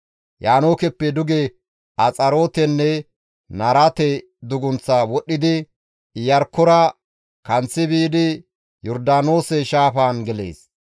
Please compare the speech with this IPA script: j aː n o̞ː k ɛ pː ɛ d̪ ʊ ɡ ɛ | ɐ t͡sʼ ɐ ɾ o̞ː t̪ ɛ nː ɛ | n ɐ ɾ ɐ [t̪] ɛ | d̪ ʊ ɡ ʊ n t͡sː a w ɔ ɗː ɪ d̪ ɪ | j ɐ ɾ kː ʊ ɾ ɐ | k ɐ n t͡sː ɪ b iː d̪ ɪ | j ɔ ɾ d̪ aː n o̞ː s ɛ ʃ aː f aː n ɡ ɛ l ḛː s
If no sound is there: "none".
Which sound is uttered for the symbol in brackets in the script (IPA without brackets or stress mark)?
t̪